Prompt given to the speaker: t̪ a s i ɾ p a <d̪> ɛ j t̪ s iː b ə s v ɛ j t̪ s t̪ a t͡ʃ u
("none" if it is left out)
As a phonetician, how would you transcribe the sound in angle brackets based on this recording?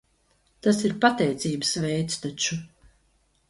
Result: t̪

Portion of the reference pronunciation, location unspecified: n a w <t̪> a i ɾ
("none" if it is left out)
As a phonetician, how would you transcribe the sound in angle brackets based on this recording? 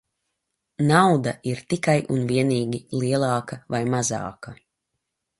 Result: d̪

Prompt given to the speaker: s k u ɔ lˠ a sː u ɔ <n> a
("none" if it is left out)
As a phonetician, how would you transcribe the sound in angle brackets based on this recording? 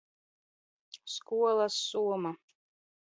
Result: m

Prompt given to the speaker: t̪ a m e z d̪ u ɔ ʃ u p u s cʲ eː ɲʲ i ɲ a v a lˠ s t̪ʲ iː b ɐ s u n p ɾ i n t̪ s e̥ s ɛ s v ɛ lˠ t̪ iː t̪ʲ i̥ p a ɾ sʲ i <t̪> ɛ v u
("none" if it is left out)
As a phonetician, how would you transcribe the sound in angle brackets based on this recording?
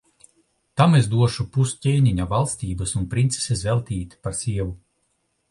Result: none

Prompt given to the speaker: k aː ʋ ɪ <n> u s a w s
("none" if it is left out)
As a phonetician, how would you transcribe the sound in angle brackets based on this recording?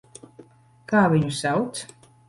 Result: ɲ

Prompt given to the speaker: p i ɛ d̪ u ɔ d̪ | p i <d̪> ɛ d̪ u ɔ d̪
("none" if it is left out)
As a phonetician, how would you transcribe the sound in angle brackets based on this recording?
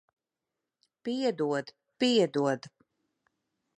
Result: none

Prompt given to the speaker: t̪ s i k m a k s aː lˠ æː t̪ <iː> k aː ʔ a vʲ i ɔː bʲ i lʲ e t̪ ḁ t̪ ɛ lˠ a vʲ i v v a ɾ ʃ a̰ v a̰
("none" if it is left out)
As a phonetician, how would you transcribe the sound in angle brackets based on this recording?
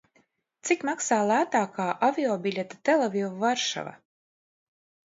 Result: aː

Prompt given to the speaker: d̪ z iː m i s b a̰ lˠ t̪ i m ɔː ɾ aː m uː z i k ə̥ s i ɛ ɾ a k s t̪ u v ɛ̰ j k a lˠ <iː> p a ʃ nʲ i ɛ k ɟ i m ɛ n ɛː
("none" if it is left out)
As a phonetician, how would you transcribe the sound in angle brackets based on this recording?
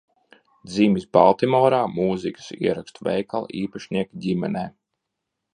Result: iː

